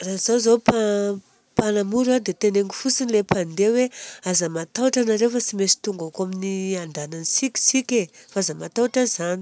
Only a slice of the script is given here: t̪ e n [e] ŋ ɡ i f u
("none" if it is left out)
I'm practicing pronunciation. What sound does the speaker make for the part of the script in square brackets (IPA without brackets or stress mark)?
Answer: e